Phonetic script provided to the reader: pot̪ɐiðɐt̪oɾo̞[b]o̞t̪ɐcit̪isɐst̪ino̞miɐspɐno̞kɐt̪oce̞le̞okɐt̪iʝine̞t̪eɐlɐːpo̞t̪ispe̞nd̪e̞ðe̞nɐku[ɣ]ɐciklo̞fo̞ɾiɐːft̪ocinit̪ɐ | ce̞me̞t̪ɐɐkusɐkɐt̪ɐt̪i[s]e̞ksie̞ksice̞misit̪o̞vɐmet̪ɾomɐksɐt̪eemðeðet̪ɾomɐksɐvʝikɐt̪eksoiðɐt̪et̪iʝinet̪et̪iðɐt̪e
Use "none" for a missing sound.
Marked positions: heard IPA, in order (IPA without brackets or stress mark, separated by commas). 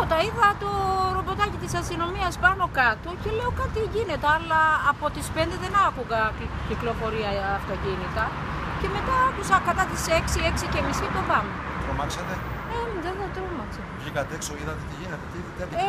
b, ɣ, s